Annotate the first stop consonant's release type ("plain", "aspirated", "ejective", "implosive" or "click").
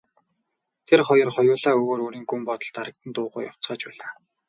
aspirated